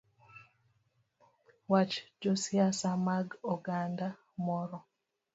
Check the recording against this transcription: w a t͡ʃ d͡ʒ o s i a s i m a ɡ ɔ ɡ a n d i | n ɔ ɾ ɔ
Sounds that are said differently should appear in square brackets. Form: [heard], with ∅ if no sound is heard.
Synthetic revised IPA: w a t͡ʃ d͡ʒ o s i a s [a] m a ɡ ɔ ɡ a n d [a] | [m] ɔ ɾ ɔ